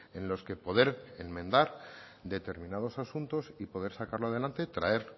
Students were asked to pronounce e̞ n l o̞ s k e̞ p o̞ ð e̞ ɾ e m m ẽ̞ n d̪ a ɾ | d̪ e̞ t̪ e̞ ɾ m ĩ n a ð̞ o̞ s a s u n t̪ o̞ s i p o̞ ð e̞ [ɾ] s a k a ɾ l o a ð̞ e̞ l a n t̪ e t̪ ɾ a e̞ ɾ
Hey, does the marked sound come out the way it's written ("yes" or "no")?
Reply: yes